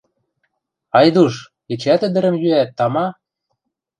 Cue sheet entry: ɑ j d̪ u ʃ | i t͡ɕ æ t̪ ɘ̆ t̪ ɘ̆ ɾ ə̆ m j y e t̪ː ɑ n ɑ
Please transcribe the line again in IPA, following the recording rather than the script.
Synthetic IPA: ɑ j d̪ u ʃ | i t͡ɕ æ t̪ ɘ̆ d̪ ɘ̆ ɾ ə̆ m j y æ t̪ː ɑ m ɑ